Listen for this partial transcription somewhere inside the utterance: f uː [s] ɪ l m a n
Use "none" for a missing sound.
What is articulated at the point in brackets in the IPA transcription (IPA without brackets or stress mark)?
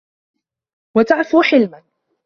ħ